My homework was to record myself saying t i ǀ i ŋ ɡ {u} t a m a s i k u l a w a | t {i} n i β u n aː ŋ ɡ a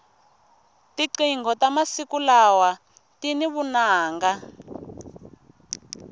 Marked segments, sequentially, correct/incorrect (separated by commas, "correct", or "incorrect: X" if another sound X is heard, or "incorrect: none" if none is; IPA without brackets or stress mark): incorrect: ɔ, correct